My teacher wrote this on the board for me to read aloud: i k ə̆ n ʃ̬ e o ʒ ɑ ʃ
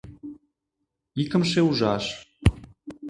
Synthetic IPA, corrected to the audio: i k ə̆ m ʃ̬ e u ʒ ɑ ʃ